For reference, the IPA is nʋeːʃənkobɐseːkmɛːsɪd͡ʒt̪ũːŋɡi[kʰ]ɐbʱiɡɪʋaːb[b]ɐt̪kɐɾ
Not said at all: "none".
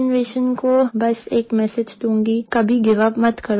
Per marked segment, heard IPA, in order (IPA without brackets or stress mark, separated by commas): k, m